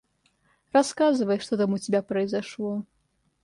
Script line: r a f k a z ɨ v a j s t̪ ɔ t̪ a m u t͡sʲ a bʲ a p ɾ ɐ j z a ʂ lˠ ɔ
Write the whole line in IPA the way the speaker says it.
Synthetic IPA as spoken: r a s k a z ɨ v ɐ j ʂ t̪ ɔ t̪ a m u t͡sʲ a bʲ a p ɾ ɐ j z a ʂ lˠ ɔ